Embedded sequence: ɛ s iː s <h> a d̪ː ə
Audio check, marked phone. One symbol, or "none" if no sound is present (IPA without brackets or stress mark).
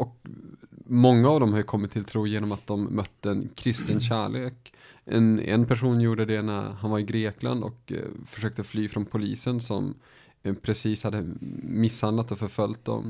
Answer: h